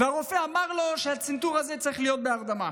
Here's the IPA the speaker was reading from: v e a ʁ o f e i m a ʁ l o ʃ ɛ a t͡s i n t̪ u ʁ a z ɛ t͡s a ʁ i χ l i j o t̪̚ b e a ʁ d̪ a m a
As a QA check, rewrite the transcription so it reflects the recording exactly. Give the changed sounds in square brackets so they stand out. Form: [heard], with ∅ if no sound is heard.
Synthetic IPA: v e a ʁ o f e [a] m a ʁ l o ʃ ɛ a t͡s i n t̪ u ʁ a z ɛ t͡s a ʁ i χ l i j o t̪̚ b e a ʁ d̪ a m a